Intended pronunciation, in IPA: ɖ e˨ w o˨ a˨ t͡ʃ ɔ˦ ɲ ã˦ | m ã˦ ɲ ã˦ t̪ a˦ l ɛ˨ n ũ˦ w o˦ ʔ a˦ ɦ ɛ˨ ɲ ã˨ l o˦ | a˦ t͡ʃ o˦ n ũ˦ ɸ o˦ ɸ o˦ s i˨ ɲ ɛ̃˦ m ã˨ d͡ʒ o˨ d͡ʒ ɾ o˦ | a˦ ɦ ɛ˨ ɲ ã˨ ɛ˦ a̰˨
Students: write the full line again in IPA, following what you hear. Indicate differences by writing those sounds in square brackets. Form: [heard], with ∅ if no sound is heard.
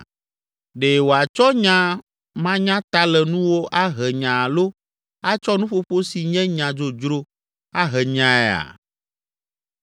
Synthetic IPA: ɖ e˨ w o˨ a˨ t͡ʃ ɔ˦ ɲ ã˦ | m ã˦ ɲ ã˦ t̪ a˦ l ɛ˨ n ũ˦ w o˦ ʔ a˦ ɦ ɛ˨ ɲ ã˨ l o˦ | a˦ t͡ʃ [ɔ˦] n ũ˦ ɸ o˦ ɸ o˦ s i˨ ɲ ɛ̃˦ [ɲ] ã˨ d͡ʒ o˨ d͡ʒ ɾ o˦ | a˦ ɦ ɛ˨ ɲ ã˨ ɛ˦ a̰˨

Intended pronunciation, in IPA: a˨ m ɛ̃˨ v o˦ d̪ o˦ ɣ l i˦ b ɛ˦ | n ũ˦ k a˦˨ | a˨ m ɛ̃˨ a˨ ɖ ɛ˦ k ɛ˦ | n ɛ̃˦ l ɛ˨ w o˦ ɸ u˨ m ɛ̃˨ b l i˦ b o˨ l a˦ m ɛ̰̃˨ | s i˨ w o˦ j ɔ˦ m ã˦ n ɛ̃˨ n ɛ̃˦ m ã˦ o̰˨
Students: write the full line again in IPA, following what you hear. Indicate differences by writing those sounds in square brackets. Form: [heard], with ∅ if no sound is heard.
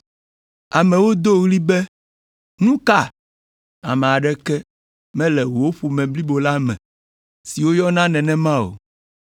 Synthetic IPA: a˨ m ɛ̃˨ [w] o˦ d̪ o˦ ɣ l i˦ b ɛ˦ | n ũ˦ k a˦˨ | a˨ m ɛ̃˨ a˨ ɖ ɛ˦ k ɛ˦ | [m] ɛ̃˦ l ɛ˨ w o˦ ɸ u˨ m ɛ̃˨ b l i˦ b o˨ l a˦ m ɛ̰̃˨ | s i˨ w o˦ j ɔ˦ [n] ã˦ n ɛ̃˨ n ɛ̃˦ m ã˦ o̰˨

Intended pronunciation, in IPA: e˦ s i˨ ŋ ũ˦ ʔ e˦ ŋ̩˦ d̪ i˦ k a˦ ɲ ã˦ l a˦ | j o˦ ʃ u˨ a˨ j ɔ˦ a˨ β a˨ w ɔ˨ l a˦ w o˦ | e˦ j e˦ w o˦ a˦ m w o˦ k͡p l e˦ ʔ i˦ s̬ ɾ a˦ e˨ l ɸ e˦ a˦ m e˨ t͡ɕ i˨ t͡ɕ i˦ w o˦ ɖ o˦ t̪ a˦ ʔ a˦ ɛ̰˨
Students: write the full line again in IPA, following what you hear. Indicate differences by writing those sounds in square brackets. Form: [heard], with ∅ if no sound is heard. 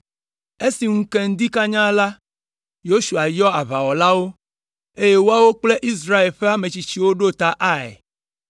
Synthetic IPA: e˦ s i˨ ŋ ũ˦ [k] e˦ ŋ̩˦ d̪ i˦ k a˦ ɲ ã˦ l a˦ | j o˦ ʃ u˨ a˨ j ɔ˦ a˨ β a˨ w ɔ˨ l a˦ w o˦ | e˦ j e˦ w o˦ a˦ [∅] w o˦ k͡p l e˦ ʔ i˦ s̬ ɾ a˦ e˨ l ɸ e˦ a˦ m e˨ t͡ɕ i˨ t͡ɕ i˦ w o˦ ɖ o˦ t̪ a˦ ʔ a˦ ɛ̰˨

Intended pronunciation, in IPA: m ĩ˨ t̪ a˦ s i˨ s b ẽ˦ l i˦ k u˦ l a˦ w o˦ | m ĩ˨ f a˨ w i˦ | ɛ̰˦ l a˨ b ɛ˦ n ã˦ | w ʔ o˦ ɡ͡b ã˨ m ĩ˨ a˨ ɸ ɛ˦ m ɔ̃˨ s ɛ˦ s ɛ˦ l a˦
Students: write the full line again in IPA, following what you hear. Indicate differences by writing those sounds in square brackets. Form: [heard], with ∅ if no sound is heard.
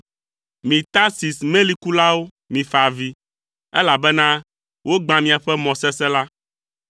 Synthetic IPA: m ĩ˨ t̪ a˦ s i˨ s [m] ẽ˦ l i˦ k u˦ l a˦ w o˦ | m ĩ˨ f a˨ [v] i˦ | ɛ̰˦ l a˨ b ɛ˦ n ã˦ | w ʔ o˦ ɡ͡b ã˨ m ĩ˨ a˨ ɸ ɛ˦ m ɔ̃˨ s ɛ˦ s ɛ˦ l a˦

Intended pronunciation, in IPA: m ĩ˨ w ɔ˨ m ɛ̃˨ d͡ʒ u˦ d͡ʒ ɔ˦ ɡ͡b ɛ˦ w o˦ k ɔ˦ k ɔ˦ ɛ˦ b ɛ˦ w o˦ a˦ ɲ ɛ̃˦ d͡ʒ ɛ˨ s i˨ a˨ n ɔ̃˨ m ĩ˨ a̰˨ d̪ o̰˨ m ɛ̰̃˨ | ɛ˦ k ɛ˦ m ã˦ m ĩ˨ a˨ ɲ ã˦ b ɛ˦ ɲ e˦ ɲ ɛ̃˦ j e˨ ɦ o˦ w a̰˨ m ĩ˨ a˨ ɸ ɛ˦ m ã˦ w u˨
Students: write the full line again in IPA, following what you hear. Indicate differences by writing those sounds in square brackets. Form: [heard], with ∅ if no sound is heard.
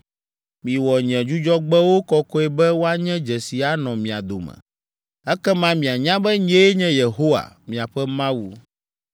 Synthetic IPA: m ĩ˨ w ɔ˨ [ɲ] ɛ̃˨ d͡ʒ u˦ d͡ʒ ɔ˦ ɡ͡b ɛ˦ w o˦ k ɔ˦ k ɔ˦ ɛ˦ b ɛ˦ w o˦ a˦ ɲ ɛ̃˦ d͡ʒ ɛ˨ s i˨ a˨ n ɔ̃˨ m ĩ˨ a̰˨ d̪ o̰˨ m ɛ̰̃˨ | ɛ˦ k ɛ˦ m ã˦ m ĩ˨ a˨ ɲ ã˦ b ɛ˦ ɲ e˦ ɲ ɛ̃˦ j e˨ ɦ o˦ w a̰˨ m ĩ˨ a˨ ɸ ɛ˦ m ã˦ w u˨

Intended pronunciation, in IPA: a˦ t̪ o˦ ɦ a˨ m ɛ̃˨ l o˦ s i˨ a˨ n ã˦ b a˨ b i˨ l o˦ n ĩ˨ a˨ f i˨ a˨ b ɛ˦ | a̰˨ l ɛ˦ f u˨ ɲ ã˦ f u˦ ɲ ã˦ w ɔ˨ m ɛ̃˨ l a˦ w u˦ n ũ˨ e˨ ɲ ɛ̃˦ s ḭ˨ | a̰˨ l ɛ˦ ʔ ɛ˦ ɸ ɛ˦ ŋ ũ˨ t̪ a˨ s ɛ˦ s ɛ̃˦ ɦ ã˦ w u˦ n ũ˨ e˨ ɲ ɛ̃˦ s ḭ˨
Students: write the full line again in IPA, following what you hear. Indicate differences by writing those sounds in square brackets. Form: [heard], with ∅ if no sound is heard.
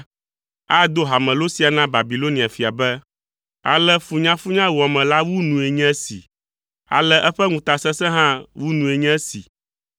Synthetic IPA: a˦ [d̪] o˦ ɦ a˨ m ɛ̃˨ l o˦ s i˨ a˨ n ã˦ b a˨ b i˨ l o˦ n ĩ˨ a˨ f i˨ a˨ b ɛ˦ | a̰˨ l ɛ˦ f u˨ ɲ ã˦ f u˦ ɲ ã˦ w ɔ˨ m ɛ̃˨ l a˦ w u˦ n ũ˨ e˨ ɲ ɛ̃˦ s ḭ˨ | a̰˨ l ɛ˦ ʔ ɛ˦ ɸ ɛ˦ ŋ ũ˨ t̪ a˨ s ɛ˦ s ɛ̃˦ ɦ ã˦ w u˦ n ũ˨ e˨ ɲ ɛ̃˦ s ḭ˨

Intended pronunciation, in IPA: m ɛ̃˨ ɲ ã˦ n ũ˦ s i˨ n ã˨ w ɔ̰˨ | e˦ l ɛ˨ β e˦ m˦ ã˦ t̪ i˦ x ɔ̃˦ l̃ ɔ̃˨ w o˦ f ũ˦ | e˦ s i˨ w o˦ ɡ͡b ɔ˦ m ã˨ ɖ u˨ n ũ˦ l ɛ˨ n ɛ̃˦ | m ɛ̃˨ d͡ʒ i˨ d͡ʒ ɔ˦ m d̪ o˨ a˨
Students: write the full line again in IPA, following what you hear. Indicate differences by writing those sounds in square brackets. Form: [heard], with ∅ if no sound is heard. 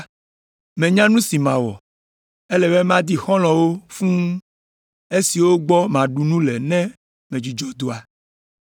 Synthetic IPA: m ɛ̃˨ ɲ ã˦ n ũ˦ s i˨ [m] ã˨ w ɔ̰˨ | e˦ l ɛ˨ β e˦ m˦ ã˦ [d̪] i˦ x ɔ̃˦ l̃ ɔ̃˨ w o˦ f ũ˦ | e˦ s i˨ w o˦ ɡ͡b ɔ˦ m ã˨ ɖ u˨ n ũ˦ l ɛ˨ n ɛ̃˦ | m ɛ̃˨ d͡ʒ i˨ d͡ʒ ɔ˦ [∅] d̪ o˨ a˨

